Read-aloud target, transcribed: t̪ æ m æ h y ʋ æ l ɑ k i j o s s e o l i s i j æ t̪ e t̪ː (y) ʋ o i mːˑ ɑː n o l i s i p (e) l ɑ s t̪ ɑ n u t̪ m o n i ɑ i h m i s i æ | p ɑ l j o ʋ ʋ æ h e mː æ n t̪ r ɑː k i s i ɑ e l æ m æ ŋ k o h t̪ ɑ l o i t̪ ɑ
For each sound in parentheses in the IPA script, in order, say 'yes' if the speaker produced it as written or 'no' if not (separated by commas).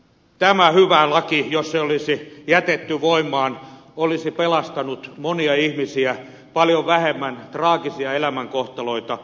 yes, yes